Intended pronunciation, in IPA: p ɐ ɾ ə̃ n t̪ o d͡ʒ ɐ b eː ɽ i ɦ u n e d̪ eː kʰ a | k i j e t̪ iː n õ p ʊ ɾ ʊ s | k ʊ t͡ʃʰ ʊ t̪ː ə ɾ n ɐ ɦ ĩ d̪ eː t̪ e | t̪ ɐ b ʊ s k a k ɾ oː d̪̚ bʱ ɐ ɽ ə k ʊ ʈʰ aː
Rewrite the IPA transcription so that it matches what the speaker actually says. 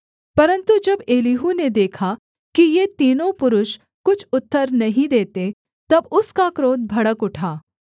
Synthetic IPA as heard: p ɐ ɾ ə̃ n t̪ u d͡ʒ ɐ b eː l i ɦ u n e d̪ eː kʰ a | k i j e t̪ iː n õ p ʊ ɾ ʊ ʃ | k ʊ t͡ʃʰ ʊ t̪ː ə ɾ n ɐ ɦ ĩ d̪ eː t̪ e | t̪ ɐ b ʊ s k a k ɾ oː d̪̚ bʱ ɐ ɽ ə k ʊ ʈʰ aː